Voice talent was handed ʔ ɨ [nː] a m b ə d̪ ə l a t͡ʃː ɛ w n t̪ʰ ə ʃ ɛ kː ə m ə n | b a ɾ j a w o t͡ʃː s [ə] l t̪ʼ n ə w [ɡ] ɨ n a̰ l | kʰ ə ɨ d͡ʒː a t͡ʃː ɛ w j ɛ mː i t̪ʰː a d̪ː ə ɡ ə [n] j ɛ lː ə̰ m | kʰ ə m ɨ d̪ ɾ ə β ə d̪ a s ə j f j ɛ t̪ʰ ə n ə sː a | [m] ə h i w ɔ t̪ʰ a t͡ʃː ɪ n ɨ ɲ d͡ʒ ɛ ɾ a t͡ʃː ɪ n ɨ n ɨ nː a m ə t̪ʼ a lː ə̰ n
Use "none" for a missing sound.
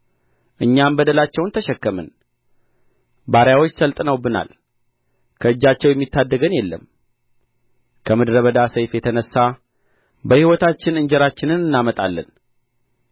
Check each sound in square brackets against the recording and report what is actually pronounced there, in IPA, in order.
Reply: ɲː, ə, b, n, b

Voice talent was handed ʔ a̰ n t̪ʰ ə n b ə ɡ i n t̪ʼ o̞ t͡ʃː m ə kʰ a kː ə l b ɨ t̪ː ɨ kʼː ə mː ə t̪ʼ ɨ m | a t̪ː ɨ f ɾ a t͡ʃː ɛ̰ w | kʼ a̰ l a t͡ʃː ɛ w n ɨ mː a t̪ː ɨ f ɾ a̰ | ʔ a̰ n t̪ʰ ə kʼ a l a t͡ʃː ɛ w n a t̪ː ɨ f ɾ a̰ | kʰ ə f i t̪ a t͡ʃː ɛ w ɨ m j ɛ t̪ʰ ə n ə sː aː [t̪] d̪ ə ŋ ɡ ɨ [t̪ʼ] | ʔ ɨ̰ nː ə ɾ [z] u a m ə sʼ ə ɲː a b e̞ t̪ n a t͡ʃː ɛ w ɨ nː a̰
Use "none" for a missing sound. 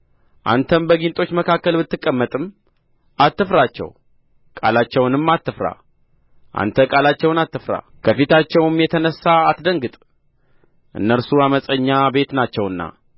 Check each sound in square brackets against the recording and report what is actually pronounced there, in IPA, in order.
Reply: t̪, t̪ʼ, s

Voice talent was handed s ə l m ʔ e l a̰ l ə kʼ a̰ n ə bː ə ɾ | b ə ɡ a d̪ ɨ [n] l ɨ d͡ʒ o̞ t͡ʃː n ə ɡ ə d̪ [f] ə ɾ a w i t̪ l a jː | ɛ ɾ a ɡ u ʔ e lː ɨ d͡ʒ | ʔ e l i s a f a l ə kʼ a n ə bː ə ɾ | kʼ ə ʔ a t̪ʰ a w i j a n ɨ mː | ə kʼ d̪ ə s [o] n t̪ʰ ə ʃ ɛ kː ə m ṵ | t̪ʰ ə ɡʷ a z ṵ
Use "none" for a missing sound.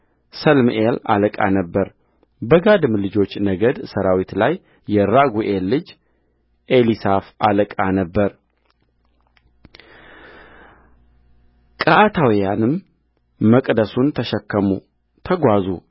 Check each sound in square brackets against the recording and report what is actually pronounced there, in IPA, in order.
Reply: m, s, u

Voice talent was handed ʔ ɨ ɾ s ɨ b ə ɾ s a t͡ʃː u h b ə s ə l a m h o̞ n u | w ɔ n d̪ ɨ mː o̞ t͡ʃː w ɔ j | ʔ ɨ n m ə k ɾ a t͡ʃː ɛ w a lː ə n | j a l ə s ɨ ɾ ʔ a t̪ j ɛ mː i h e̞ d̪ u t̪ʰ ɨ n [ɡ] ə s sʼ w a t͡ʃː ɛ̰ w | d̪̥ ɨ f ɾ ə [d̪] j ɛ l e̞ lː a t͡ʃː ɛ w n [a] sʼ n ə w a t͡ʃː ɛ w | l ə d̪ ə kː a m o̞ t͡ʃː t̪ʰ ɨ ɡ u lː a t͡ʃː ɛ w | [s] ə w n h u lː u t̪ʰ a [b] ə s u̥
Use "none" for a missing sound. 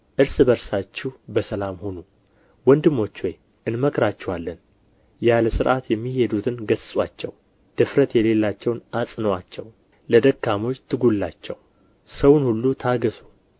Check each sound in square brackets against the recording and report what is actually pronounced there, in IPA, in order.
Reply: ɡ, t̪, a, s, ɡ

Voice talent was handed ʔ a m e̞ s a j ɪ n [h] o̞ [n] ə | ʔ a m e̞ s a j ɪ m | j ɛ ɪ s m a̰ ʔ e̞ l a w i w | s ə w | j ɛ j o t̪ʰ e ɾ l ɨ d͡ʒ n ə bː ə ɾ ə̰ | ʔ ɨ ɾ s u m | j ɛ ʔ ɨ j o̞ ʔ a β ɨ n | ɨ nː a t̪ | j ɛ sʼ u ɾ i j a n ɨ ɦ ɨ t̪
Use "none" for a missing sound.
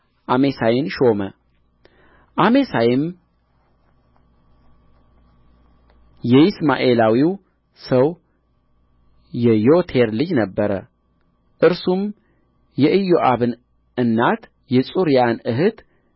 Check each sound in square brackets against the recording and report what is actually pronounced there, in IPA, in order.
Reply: ʃ, m

